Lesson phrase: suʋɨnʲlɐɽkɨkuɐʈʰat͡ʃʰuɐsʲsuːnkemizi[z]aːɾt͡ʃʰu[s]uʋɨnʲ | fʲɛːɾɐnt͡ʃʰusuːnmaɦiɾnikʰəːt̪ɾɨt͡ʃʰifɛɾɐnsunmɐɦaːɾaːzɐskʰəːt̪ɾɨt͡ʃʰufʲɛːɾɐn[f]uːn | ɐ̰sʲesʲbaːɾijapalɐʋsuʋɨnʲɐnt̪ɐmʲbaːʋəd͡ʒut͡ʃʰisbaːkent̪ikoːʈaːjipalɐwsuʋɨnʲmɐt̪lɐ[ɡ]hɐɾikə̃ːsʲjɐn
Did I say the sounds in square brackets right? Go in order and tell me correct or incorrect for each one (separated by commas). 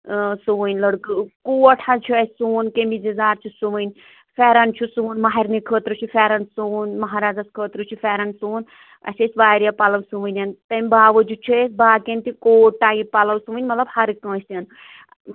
correct, correct, incorrect, incorrect